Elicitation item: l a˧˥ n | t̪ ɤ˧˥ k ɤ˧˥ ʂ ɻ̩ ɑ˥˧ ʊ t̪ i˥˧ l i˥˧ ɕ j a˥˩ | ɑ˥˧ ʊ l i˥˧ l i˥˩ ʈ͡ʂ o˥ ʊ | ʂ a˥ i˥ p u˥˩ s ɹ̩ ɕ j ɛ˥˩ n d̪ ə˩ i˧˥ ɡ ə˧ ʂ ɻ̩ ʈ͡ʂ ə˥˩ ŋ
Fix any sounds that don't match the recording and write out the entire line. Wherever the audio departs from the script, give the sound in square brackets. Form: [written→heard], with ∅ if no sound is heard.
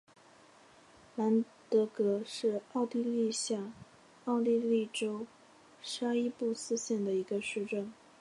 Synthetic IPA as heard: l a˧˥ n | t̪ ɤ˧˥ k ɤ˧˥ ʂ ɻ̩ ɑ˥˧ ʊ t̪ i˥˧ l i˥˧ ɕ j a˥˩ | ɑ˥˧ ʊ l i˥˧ l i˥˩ ʈ͡ʂ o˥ ʊ | ʂ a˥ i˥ p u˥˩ s ɹ̩ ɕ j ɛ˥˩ n d̪ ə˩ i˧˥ ɡ ə˧ ʂ ɻ̩ ʈ͡ʂ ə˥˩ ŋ